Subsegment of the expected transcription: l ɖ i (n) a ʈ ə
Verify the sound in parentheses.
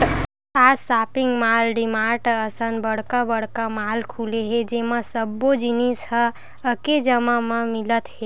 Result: incorrect: m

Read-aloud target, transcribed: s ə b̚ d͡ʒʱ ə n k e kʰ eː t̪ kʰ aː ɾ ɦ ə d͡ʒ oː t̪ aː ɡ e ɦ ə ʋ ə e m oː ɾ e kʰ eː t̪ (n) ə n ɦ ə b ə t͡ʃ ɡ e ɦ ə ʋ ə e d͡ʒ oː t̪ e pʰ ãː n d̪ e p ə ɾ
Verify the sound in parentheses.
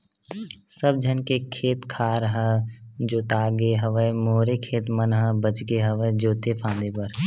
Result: incorrect: m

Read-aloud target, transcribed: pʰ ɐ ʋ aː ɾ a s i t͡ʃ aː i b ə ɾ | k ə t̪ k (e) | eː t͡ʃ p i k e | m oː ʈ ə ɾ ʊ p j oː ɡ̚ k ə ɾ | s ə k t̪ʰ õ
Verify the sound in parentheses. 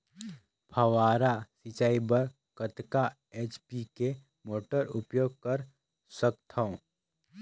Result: incorrect: a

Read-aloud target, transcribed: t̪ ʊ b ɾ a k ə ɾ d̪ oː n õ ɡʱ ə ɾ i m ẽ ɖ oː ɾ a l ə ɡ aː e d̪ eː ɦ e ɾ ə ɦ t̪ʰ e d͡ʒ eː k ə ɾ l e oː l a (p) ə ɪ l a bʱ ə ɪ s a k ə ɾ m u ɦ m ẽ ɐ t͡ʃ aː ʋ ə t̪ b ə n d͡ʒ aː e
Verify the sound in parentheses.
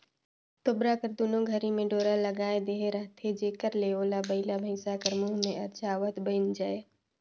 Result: incorrect: b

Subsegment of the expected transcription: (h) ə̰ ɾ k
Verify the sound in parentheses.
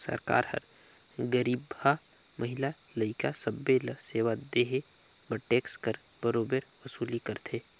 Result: incorrect: s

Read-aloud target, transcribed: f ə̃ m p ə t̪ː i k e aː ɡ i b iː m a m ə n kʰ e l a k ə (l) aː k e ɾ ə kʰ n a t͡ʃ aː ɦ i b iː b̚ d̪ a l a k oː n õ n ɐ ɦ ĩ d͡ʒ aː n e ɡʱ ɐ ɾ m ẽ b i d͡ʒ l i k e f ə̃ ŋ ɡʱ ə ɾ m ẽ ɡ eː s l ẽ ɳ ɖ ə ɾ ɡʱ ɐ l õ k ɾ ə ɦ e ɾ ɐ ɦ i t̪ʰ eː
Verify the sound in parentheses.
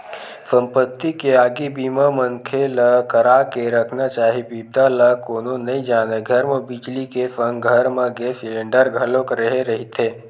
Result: incorrect: ɾ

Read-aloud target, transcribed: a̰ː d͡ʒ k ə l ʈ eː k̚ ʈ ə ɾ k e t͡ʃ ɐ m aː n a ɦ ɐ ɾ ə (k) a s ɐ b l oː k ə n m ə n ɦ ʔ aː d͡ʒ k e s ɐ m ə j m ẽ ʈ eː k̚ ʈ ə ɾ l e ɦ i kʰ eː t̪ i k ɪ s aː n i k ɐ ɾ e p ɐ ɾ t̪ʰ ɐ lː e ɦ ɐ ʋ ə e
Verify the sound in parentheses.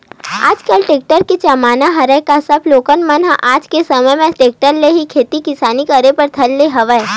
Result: correct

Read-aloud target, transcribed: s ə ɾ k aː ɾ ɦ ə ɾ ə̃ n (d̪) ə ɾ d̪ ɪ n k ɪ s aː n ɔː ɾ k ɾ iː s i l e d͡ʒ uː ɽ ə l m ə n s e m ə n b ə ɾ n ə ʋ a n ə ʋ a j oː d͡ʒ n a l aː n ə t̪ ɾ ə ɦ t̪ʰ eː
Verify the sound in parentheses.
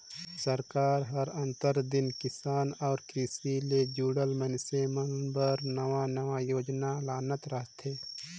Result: incorrect: t̪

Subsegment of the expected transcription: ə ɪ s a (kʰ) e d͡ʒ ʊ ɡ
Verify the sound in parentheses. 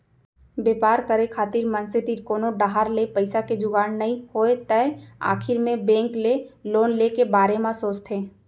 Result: incorrect: k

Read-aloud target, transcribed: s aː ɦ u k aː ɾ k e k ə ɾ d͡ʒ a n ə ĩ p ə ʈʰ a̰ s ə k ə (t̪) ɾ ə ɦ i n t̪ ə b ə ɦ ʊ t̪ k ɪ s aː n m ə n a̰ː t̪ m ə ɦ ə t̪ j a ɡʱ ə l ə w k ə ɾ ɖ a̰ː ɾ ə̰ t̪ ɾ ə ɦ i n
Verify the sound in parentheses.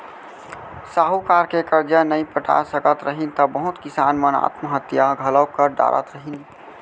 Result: correct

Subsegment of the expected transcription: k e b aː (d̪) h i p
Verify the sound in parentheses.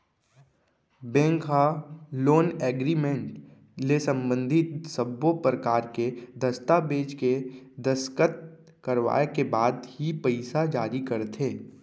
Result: correct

